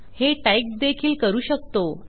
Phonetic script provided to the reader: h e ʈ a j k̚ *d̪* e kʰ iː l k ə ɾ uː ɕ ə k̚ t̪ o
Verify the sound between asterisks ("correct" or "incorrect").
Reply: correct